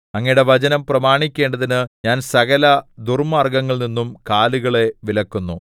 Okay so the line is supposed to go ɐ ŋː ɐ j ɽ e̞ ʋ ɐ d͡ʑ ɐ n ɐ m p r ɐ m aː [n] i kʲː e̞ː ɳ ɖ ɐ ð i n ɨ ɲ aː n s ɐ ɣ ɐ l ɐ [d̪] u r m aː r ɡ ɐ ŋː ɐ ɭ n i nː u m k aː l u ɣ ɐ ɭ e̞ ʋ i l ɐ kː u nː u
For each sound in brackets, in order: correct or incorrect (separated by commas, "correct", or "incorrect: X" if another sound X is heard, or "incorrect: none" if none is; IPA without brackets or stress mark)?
incorrect: ɳ, correct